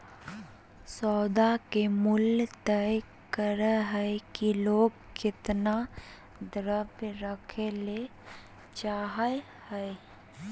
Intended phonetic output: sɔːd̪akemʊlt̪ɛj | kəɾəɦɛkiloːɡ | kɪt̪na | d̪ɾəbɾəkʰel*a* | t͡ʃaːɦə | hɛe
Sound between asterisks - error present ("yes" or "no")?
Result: yes